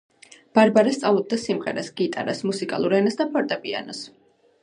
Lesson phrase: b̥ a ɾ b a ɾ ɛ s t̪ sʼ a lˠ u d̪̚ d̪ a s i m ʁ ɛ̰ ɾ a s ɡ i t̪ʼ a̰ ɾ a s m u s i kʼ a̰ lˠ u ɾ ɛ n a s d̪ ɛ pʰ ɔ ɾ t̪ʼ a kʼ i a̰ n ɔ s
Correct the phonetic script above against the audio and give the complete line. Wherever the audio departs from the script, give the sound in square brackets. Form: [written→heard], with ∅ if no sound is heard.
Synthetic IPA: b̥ a ɾ b a ɾ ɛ s t̪ sʼ a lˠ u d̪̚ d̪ a s i m ʁ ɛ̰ ɾ a s ɡ i t̪ʼ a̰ ɾ a s m u s i kʼ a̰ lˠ u ɾ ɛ n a s d̪ [ɛ→a] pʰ ɔ ɾ t̪ʼ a [kʼ→pʼ] i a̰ n ɔ s